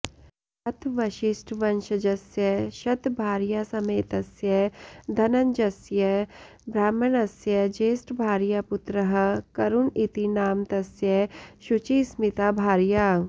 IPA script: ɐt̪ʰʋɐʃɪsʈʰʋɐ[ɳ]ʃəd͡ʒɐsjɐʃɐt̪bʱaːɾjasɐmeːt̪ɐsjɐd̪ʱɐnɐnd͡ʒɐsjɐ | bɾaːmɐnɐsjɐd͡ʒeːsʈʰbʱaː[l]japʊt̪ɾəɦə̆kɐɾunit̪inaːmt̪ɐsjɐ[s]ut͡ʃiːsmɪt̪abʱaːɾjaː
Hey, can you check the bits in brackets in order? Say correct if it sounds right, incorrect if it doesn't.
incorrect, incorrect, incorrect

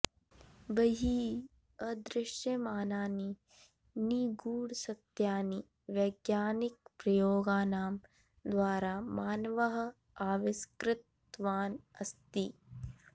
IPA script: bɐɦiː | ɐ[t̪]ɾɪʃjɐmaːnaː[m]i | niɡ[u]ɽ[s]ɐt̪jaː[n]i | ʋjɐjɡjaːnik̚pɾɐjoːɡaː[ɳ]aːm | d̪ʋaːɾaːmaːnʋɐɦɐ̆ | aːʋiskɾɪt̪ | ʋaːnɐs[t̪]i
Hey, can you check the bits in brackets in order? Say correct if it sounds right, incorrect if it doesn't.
incorrect, incorrect, incorrect, correct, correct, incorrect, correct

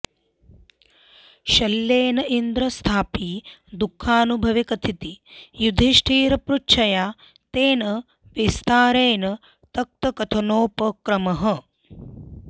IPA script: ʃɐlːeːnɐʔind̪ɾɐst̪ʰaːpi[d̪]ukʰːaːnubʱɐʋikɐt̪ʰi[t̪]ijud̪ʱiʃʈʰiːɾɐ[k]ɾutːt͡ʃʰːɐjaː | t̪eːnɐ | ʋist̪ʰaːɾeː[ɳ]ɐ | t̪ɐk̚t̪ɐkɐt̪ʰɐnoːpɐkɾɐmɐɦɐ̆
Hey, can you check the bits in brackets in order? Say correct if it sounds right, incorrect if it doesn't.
correct, correct, incorrect, incorrect

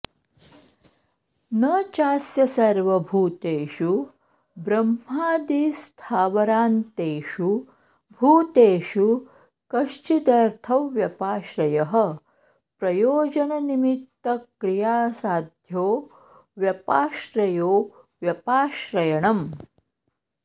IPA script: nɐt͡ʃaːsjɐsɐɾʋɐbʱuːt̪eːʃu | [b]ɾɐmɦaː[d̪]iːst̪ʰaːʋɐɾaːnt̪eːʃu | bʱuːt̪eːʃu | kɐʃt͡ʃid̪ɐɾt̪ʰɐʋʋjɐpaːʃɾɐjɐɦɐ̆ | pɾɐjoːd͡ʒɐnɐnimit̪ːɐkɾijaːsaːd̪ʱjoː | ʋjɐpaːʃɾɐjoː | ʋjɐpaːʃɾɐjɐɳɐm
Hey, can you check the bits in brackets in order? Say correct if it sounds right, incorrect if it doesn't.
correct, correct

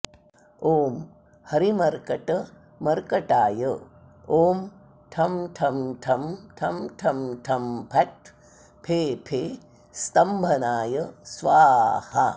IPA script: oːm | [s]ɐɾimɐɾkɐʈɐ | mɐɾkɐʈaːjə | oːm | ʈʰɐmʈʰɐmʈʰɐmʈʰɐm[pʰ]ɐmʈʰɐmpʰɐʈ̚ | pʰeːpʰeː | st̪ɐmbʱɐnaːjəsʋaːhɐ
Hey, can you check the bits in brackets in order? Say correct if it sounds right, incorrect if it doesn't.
incorrect, incorrect

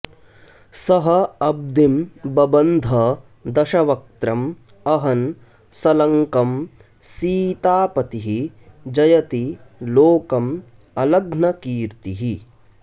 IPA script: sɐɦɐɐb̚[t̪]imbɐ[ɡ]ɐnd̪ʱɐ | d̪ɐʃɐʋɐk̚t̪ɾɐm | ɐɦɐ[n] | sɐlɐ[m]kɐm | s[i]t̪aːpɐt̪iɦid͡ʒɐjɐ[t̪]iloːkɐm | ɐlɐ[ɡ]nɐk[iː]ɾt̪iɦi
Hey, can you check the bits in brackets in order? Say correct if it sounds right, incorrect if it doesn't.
incorrect, incorrect, correct, incorrect, incorrect, correct, correct, correct

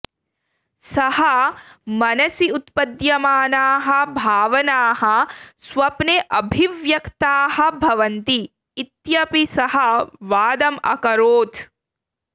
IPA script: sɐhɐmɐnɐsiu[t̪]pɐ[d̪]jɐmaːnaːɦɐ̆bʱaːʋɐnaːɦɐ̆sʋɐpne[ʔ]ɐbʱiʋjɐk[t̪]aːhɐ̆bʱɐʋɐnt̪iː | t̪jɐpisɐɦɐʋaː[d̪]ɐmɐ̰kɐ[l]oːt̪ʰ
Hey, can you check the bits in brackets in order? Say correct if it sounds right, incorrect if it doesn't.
correct, correct, correct, correct, correct, incorrect

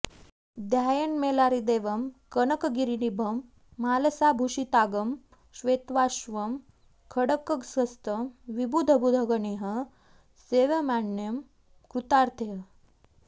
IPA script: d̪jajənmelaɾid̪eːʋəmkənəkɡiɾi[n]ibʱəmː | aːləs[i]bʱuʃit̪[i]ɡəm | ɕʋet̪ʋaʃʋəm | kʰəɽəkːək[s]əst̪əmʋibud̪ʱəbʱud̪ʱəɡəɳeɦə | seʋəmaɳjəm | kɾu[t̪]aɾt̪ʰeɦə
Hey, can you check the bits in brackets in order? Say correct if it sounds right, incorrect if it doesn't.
correct, incorrect, incorrect, correct, correct

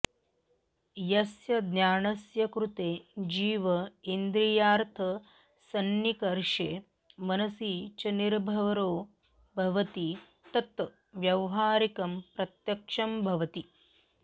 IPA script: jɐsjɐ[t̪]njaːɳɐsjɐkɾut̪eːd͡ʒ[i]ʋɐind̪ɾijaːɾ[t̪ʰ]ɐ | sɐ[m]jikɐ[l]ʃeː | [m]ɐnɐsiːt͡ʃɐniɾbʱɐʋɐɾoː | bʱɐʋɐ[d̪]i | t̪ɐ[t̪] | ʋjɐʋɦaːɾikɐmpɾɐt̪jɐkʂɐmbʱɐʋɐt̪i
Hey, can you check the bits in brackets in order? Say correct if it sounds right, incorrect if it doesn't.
incorrect, incorrect, correct, incorrect, incorrect, correct, incorrect, correct

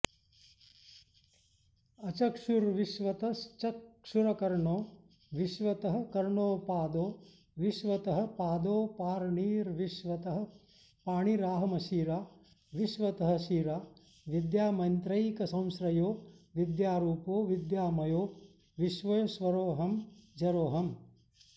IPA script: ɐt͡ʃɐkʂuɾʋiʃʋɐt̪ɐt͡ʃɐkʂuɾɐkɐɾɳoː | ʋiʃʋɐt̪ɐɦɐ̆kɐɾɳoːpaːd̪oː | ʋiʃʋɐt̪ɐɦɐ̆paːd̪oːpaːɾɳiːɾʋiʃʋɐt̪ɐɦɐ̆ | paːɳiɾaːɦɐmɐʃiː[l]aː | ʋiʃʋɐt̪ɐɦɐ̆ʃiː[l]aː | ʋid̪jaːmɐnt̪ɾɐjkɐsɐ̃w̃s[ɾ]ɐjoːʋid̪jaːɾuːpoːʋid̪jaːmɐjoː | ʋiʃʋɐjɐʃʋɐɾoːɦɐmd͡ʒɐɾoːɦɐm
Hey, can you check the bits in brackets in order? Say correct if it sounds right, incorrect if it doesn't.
incorrect, incorrect, correct

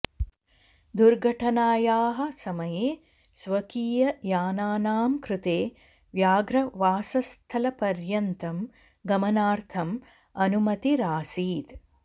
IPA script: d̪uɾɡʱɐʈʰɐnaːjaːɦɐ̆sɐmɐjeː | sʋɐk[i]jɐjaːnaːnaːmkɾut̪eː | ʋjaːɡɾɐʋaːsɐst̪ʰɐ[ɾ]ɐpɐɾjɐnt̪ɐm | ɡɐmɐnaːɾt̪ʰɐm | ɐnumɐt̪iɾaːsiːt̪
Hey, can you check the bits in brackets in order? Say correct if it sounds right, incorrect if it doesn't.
incorrect, incorrect

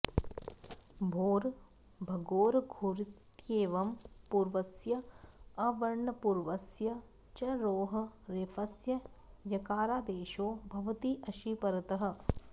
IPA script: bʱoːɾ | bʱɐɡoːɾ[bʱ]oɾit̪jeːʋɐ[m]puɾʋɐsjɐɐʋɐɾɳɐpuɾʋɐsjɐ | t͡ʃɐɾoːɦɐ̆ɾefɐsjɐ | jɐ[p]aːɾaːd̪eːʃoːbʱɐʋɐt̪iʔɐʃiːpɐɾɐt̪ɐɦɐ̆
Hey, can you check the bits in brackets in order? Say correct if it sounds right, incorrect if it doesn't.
incorrect, correct, incorrect

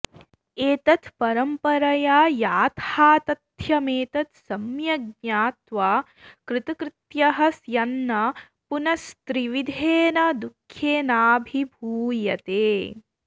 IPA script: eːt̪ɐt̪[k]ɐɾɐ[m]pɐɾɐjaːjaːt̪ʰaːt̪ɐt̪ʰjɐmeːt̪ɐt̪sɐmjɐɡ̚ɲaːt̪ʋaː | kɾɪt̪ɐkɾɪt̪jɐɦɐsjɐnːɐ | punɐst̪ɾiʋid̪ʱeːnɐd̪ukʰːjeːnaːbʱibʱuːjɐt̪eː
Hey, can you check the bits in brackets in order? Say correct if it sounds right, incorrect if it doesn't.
incorrect, correct

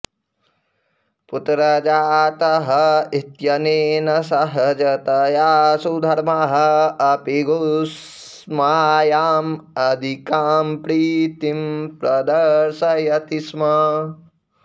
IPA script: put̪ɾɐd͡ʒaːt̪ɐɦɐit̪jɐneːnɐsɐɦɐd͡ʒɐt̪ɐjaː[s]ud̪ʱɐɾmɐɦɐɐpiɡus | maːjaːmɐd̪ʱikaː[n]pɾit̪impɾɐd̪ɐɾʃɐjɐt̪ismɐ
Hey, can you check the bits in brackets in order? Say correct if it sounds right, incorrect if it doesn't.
correct, incorrect

